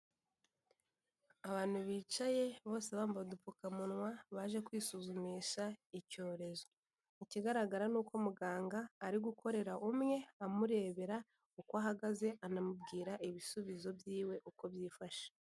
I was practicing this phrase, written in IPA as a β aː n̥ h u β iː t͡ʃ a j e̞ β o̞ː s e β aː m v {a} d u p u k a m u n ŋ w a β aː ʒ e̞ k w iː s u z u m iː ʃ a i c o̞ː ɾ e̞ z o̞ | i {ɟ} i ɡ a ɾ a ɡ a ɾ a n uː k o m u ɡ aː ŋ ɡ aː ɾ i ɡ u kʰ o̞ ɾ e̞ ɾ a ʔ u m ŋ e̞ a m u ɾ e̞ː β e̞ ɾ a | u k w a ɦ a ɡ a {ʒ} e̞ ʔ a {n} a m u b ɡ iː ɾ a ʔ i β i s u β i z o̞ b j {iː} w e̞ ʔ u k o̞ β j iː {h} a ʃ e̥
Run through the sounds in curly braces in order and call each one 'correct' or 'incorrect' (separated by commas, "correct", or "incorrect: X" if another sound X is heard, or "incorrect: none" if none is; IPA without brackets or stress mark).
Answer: correct, incorrect: c, incorrect: z, correct, correct, incorrect: f